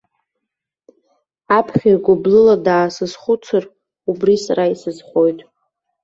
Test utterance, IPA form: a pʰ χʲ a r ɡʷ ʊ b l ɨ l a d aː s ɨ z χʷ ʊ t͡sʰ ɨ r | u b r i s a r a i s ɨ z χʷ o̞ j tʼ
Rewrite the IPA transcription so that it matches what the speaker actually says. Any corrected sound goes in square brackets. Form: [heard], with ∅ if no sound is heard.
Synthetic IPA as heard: a pʰ χʲ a r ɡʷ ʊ b l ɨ l a d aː s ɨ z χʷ ʊ t͡sʰ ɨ r | u b r i s a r a i s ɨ z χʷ o̞ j tʼ

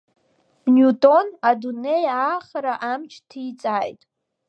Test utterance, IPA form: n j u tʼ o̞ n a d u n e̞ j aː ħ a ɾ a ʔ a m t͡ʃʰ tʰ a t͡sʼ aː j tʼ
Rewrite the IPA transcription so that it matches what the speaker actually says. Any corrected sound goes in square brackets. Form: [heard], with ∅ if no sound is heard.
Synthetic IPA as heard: n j u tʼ o̞ n a d u n e̞ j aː [χ] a ɾ a ʔ a m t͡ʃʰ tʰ [i] t͡sʼ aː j tʼ

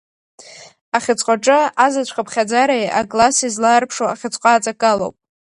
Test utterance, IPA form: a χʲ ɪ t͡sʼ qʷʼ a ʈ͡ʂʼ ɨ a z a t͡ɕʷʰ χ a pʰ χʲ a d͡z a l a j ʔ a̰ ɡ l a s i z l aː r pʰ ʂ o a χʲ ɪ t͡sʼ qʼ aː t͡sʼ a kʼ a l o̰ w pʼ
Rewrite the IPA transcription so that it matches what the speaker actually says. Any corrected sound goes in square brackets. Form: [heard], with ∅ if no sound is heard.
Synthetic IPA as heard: a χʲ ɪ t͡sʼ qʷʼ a ʈ͡ʂʼ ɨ a z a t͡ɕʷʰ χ a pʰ χʲ a d͡z a [ɾ] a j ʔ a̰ ɡ l a s i z l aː r pʰ ʂ o a χʲ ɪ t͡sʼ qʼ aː t͡sʼ a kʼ a l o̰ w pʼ

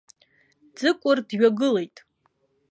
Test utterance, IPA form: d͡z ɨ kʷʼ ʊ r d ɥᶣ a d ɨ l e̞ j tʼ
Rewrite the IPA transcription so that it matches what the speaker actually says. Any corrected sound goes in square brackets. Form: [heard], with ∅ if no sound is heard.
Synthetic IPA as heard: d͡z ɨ kʷʼ ʊ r d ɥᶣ a [ɡ] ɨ l e̞ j tʼ

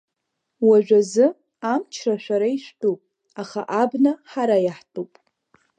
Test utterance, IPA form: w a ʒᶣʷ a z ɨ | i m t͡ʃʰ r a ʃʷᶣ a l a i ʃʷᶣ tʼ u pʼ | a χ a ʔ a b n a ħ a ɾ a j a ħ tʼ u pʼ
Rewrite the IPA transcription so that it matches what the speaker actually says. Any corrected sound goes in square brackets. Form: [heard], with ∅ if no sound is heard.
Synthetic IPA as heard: w a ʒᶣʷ a z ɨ | [a] m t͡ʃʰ r a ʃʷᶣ a [ɾ] a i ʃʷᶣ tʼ u pʼ | a χ a ʔ a b n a ħ a ɾ a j a ħ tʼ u pʼ

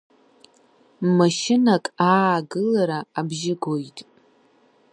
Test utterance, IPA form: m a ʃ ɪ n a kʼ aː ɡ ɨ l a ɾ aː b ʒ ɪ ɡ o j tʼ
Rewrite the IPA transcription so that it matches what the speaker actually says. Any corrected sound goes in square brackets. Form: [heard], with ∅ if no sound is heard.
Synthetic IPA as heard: m a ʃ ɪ n a kʼ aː ɡ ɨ l a ɾ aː b ʒ ɪ ɡ o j tʼ

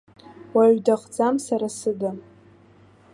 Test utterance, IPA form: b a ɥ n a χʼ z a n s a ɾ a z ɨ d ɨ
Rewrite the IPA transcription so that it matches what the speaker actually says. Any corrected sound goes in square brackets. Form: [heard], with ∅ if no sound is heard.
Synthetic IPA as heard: [w] a ɥ [d] a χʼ [d͡z] a [m] s a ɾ a [s] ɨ d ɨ

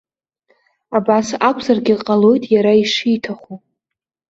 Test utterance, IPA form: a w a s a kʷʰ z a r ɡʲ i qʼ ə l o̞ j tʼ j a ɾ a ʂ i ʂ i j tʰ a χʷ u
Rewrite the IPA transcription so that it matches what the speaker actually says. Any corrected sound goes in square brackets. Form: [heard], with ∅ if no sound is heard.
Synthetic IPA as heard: a [b] a s a kʷʰ z a r ɡʲ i qʼ [a] l o̞ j tʼ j a ɾ a [∅] i ʂ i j tʰ a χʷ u

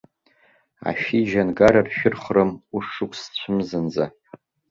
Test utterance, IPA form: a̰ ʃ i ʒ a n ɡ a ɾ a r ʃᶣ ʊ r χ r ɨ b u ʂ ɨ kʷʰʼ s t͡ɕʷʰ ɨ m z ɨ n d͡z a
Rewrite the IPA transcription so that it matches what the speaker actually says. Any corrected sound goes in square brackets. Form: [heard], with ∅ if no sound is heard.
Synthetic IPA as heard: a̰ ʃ i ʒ a n ɡ a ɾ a r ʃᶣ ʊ r χ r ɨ [m] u ʂ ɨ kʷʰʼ s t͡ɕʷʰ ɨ m z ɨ n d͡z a

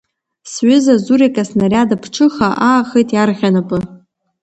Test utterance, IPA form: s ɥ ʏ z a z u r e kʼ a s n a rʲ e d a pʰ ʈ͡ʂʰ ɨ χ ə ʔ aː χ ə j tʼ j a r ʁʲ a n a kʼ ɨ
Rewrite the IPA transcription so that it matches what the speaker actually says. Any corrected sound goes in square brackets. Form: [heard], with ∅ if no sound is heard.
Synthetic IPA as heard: s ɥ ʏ z a z u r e kʼ a s n a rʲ [a] d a pʰ ʈ͡ʂʰ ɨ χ [a] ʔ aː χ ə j tʼ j a r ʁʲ a n a [pʼ] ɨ

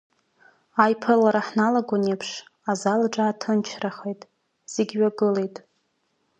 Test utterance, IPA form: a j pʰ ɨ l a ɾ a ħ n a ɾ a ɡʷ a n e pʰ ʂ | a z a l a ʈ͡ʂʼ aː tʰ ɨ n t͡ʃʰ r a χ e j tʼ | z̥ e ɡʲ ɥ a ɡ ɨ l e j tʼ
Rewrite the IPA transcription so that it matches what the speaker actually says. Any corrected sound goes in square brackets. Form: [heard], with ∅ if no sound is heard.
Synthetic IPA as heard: a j pʰ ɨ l a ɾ a ħ n a [l] a ɡʷ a n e pʰ ʂ | a z a l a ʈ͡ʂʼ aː tʰ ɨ n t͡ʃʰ r a χ e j tʼ | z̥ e ɡʲ ɥ a ɡ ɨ l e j tʼ

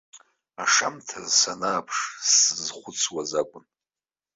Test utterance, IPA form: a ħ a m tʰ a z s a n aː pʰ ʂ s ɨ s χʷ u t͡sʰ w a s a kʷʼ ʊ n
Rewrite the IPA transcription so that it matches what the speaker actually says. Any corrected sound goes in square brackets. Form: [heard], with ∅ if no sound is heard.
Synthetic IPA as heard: a [ʂ] a m tʰ a z s a n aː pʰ ʂ s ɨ [z] χʷ [ʊ] t͡sʰ w a [z] a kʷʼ ʊ n

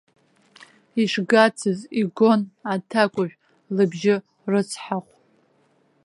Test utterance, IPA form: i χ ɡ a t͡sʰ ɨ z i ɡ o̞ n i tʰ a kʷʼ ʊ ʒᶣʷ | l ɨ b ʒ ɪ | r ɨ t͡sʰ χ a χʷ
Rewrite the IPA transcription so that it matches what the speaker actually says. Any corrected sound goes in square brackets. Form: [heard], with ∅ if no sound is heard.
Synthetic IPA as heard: i [ʂ] ɡ a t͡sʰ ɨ z i ɡ o̞ n [a] tʰ a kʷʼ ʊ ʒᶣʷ | l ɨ b ʒ ɪ | r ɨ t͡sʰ [ħ] a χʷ

